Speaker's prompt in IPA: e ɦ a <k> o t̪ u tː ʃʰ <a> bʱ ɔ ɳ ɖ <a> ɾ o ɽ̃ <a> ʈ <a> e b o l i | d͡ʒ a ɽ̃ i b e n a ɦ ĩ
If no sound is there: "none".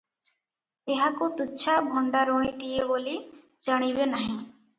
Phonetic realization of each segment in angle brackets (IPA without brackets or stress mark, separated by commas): k, a, a, i, i